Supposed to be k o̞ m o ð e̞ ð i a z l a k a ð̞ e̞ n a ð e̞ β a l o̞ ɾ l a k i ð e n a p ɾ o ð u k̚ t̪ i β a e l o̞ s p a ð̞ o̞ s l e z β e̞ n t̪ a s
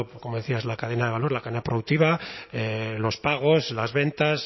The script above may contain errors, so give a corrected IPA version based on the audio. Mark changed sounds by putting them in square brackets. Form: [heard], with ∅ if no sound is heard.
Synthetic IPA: k o̞ m o ð e̞ [θ] i a z l a k a ð̞ e̞ n a ð e̞ β a l o̞ ɾ l a k [a] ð e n a p ɾ o ð u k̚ t̪ i β a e l o̞ s p a [ɣ̞] o̞ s l [a] z β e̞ n t̪ a s